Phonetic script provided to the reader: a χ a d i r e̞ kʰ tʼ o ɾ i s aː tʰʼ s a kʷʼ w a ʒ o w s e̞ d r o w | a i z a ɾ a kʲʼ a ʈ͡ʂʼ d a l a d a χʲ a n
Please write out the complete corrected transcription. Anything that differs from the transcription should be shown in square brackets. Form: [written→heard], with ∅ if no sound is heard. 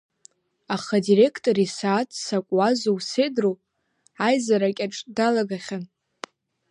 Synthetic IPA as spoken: a χ a d i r e̞ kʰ tʼ o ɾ i s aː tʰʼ s a kʷʼ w a [ʒ→z] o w s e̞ d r o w | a [i→j] z a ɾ a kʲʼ a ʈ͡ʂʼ d a l a [d→ɡ] a χʲ a n